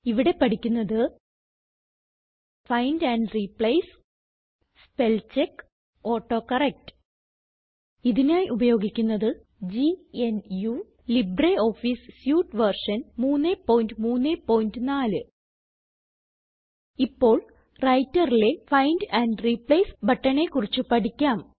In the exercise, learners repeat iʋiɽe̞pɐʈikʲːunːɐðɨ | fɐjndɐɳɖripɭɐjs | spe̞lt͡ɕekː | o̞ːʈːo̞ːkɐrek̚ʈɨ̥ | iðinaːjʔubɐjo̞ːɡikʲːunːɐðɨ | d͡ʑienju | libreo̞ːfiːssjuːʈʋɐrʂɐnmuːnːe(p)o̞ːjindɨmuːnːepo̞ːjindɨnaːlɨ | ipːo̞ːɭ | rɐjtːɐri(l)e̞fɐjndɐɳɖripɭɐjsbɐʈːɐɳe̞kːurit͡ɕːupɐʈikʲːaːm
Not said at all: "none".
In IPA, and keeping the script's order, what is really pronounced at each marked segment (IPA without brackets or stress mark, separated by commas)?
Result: p, l